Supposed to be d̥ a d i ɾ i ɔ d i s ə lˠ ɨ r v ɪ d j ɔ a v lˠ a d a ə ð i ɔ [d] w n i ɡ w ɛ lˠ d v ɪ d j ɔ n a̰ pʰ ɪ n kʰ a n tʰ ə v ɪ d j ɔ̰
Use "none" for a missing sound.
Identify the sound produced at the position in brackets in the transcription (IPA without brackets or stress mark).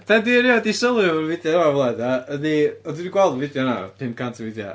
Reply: d